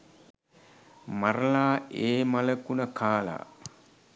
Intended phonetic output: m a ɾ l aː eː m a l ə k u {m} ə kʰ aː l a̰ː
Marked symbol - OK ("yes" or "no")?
no